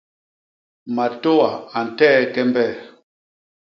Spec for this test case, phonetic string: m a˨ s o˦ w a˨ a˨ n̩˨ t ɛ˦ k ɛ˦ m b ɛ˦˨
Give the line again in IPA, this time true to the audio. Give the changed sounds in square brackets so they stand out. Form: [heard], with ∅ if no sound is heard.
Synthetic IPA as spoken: m a˨ [t] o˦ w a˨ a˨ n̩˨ t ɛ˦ k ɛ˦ m b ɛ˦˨

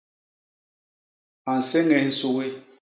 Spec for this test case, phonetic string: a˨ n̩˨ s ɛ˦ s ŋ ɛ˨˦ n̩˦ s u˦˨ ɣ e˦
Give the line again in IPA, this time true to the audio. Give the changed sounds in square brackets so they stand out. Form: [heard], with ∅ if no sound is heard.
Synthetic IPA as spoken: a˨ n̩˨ s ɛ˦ [∅] ŋ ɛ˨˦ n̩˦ s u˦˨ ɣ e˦

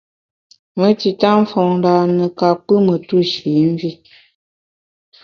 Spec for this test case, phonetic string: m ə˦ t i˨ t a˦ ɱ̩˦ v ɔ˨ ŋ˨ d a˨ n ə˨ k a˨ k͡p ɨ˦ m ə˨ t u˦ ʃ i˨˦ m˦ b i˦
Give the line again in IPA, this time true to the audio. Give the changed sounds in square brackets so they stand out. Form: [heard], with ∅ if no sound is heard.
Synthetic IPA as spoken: m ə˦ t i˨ t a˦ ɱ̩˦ [f] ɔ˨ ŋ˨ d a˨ n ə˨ k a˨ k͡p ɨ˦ m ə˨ t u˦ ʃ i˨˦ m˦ [v] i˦

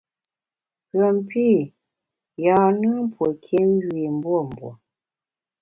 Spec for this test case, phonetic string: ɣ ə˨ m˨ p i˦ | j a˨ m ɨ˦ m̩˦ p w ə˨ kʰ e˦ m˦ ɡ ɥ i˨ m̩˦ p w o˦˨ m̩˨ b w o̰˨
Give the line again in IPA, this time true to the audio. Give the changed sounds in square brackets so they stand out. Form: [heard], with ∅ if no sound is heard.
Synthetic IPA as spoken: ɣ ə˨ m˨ p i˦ | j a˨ [n] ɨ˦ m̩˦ p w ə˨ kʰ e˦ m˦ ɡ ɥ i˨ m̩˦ [b] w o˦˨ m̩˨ b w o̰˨

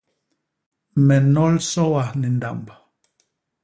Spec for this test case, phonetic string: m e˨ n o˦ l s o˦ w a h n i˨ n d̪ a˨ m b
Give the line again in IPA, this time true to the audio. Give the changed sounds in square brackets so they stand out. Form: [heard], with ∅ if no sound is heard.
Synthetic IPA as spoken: m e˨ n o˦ l s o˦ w a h n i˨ n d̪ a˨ m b

